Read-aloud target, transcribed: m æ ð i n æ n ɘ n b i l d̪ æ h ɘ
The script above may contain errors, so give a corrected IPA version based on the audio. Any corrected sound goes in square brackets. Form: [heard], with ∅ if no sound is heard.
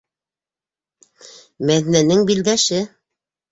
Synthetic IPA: m æ ð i n æ n ɘ [ŋ] b i l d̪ æ [ʃ] ɘ

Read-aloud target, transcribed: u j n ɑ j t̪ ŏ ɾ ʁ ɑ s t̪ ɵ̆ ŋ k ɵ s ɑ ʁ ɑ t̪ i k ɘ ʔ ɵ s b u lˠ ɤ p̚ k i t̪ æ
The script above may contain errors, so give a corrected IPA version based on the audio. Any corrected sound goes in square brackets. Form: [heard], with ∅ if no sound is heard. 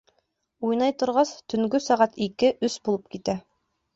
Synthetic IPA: u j n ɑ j t̪ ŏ ɾ ʁ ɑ s t̪ ɵ̆ ŋ [ɡ] ɵ s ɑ ʁ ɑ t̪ i k ɘ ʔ ɵ s b u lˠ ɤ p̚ k i t̪ æ

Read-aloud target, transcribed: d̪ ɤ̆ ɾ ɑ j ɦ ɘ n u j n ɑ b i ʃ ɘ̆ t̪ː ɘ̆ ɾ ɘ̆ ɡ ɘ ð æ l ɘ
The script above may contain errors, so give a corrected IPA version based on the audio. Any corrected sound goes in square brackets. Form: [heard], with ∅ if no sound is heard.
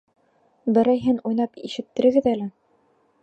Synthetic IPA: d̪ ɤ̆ ɾ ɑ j ɦ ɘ n u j n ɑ [p] i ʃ ɘ̆ t̪ː ɘ̆ ɾ ɘ̆ ɡ ɘ ð æ l ɘ

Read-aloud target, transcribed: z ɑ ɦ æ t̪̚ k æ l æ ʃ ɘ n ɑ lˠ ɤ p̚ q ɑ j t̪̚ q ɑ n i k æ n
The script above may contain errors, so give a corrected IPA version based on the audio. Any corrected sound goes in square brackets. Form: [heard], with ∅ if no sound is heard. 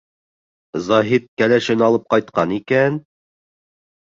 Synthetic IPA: z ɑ ɦ [i] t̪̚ k æ l æ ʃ ɘ n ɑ lˠ ɤ p̚ q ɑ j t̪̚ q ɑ n i k æ n

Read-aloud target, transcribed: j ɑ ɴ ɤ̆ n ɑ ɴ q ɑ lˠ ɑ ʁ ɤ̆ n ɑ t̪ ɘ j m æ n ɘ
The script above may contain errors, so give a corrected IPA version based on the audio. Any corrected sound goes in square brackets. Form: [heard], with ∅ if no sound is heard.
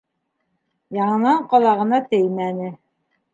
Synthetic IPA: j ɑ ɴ ɤ̆ n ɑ ɴ q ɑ lˠ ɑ ʁ ɤ̆ n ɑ t̪ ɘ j m æ n ɘ

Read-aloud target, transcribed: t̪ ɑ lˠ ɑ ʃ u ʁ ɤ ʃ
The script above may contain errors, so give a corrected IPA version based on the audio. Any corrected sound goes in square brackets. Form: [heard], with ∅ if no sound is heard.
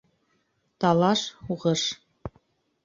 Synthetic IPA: t̪ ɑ lˠ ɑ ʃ u ʁ ɤ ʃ

